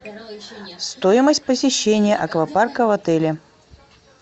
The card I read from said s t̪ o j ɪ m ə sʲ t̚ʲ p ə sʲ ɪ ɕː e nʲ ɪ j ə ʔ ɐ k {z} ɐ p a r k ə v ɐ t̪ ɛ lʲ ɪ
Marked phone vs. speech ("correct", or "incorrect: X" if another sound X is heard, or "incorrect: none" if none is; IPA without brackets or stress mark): incorrect: v